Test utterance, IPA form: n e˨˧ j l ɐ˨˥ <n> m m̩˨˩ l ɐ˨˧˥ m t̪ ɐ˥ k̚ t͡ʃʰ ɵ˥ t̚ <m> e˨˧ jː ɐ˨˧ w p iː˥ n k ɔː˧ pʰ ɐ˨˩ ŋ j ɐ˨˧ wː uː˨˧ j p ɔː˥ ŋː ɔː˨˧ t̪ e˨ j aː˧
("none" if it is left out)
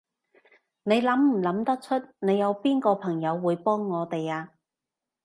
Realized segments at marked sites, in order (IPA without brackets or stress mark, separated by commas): none, n